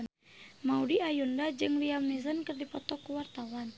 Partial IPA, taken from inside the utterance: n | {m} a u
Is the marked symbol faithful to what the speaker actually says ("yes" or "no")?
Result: yes